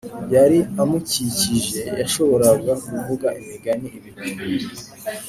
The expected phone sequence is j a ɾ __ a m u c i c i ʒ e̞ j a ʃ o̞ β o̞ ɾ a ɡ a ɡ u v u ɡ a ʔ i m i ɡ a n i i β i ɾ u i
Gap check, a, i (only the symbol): i